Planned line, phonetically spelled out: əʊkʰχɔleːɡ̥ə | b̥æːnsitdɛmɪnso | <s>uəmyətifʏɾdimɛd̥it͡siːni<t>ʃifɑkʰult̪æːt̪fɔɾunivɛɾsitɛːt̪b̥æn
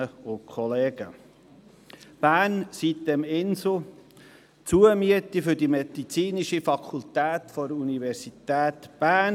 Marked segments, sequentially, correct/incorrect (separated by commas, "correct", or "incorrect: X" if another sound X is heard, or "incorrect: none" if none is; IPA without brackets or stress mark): incorrect: t͡s, incorrect: none